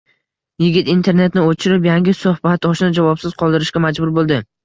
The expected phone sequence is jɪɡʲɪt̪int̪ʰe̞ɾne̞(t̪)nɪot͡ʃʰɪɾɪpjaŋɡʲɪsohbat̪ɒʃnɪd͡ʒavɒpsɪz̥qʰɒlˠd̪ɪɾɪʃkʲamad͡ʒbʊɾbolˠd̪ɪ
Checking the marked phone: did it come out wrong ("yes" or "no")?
no